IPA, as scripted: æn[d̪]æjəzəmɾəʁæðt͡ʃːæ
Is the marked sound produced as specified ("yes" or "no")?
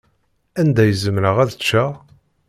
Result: yes